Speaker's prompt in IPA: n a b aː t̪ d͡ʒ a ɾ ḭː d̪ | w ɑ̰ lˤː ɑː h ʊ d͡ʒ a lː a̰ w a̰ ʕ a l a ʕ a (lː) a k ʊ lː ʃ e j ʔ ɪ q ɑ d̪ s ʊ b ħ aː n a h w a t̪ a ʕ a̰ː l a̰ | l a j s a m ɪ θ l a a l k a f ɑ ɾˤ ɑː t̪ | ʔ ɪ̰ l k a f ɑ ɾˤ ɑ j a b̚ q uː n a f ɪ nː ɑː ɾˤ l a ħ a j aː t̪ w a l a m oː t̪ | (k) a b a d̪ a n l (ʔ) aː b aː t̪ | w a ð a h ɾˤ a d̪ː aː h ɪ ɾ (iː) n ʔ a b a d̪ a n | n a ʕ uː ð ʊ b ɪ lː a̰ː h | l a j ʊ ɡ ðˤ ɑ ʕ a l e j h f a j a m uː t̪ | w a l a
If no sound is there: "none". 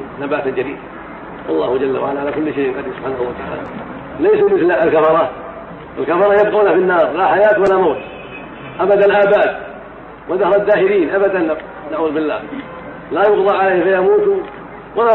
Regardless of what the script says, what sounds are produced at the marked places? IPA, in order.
l, ʔ, ʔ, iː

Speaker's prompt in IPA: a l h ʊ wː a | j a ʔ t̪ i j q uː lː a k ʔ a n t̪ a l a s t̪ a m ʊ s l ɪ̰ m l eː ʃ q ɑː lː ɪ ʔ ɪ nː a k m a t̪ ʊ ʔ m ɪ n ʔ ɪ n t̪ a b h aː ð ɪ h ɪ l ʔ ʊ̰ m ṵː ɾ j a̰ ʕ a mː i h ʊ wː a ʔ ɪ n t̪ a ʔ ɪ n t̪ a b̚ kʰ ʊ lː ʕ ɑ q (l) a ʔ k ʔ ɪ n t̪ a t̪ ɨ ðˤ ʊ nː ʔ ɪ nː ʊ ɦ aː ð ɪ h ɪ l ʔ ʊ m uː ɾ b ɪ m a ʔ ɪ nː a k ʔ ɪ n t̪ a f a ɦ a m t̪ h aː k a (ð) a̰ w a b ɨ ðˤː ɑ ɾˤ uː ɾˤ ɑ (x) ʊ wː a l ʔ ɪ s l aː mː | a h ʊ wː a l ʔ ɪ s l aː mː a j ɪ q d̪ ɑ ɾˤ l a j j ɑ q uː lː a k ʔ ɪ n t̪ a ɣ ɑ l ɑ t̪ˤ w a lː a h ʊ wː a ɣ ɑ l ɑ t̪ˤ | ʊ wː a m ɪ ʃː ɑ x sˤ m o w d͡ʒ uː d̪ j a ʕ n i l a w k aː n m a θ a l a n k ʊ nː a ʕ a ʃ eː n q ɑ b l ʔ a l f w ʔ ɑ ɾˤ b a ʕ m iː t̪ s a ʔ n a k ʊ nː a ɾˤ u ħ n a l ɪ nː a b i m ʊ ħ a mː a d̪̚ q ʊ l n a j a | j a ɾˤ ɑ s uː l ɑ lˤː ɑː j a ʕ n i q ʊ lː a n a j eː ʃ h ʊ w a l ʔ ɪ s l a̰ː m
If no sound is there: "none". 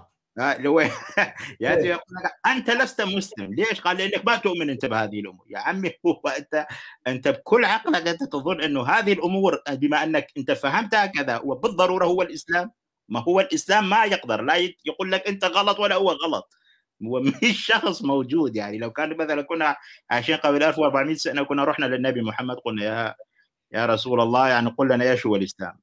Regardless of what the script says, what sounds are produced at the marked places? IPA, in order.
l, ð, h

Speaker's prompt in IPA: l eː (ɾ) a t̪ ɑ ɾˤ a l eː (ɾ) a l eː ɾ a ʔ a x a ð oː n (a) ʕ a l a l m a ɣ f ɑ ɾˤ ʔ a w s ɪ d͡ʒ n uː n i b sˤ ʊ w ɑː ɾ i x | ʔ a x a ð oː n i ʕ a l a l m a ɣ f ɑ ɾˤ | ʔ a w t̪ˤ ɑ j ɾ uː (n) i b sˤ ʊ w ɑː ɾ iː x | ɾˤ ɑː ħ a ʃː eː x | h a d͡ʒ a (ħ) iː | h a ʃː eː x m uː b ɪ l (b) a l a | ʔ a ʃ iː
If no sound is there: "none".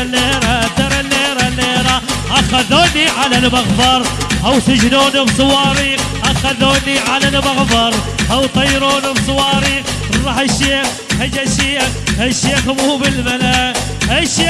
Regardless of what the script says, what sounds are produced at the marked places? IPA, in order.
ɾ, ɾ, i, n, ʃ, m

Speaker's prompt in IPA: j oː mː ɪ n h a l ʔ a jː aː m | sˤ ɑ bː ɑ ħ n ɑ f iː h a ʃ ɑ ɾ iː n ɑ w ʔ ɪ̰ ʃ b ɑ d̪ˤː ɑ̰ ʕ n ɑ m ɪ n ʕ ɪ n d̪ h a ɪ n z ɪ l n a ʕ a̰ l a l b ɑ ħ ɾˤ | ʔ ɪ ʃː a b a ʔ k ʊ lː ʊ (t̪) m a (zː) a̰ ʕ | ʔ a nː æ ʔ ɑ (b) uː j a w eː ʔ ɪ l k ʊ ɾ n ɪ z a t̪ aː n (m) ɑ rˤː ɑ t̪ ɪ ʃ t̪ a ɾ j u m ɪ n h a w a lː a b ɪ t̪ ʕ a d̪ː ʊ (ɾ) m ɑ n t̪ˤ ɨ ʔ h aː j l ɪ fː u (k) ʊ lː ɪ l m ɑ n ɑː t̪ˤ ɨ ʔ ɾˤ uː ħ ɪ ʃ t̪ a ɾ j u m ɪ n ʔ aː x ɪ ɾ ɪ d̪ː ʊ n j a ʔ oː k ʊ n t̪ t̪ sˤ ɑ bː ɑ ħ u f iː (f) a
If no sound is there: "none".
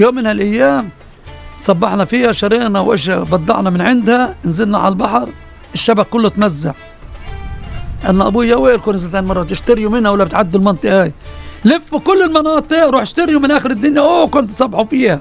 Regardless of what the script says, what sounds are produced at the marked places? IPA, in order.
t̪, zː, b, m, l, k, h

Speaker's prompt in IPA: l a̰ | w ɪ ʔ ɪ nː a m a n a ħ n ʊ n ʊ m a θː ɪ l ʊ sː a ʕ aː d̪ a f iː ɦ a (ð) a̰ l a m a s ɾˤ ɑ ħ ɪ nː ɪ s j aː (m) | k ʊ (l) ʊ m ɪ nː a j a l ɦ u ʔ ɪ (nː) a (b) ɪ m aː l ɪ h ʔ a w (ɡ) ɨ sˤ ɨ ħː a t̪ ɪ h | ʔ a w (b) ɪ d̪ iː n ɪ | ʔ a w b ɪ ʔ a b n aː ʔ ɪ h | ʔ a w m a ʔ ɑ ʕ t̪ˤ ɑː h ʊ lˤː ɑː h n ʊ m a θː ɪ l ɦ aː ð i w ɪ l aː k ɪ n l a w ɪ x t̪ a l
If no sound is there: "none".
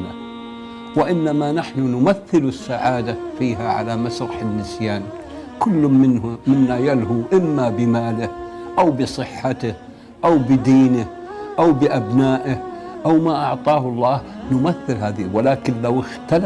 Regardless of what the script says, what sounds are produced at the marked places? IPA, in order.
ʕ, n, lː, mː, b, b, b

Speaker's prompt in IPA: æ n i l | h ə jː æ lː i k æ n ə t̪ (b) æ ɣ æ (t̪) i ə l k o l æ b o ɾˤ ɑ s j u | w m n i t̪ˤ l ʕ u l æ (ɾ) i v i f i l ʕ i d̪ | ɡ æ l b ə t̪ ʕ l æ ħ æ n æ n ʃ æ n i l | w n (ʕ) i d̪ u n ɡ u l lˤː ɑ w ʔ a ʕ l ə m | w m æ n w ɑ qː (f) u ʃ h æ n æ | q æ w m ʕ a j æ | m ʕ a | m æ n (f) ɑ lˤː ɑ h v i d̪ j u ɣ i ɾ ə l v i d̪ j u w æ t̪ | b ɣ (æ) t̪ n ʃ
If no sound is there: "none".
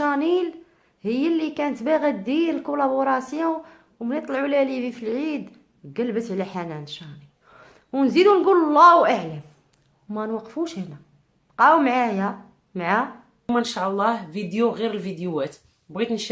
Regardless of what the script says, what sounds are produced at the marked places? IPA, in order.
b, d̪, l, z, f, ʃ, i

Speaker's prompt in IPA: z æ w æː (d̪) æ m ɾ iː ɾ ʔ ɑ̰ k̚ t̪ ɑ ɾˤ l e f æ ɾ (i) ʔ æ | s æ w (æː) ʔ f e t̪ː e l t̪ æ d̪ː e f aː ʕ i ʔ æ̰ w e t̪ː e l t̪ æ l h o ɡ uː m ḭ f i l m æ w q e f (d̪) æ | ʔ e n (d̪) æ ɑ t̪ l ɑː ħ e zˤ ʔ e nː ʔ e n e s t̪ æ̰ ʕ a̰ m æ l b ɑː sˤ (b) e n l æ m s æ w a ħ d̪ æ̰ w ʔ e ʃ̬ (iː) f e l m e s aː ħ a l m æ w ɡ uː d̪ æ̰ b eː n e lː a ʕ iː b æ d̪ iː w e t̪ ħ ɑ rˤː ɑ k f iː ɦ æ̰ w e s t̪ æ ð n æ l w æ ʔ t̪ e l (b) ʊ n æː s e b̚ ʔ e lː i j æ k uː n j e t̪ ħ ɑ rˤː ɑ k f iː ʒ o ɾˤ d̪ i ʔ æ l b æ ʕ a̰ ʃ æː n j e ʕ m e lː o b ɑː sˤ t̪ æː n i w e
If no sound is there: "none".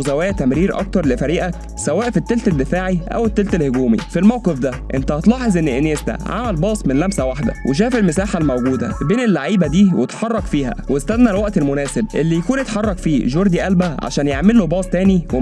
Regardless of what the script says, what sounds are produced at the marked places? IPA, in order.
t̪, iː, æː, d̪, t̪, m, æː, m

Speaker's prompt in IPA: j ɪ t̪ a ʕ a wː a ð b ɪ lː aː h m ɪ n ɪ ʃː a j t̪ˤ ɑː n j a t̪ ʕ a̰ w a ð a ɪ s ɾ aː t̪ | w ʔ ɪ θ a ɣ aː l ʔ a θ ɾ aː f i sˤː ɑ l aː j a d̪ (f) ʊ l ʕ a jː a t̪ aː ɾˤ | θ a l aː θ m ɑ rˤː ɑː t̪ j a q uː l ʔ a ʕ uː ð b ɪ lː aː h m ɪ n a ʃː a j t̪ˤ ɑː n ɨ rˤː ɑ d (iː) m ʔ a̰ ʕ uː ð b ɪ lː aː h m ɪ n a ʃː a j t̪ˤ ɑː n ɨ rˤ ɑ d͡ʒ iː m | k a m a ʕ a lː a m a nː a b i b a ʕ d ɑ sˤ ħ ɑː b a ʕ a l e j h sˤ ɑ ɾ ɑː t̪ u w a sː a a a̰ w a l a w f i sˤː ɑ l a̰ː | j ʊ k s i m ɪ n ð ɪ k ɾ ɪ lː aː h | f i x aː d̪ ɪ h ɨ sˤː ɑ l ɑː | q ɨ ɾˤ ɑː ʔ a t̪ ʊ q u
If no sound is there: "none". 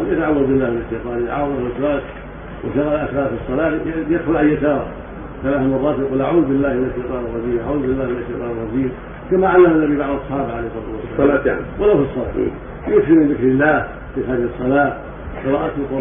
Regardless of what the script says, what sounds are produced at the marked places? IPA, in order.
x, iː

